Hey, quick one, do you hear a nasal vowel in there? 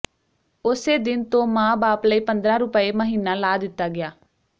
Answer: yes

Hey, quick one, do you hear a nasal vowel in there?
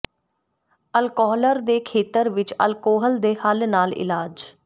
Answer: no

